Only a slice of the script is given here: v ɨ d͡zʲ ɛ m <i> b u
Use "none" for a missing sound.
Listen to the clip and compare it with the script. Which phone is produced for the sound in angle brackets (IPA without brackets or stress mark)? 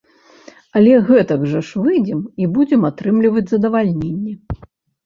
i